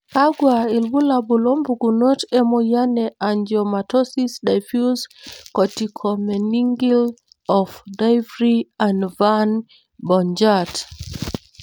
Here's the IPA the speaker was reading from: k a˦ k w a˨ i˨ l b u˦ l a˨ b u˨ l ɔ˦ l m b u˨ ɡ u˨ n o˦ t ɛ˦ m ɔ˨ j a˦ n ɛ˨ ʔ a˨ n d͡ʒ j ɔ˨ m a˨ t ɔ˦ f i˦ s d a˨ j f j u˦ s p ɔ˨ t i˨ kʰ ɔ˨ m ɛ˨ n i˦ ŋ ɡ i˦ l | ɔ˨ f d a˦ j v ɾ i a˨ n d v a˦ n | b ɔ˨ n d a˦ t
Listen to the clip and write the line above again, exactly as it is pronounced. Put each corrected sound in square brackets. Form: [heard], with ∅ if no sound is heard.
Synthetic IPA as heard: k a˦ [ɡ] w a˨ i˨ l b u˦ l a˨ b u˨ l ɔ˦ [∅] m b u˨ ɡ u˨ n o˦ t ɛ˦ m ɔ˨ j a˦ n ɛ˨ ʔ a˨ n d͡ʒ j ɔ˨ m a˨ t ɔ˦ [s] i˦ s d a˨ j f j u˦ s [k] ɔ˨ t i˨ kʰ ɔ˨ m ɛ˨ n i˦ ŋ ɡ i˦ l | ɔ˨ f d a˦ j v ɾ i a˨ n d v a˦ n | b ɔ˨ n [d͡ʒ] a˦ t